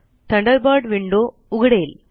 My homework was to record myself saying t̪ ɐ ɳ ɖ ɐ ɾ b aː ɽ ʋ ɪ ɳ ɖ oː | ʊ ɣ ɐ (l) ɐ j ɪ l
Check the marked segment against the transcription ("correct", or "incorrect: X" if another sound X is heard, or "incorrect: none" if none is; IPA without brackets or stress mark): incorrect: ɽ